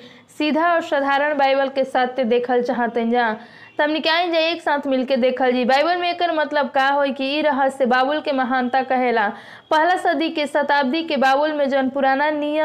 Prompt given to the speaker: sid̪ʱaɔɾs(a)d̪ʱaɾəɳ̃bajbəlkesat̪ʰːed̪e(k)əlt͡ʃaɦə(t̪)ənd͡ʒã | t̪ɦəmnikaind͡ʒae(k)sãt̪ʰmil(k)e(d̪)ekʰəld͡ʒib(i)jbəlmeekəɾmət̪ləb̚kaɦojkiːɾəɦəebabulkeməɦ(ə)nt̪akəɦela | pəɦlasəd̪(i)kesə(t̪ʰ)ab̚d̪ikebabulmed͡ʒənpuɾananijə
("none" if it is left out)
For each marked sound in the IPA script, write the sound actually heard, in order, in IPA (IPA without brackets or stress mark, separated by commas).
ə, kʰ, t̪, k, k, d̪, a, a, i, t̪